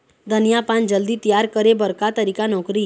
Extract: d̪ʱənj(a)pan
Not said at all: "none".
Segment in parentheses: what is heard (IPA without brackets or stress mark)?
a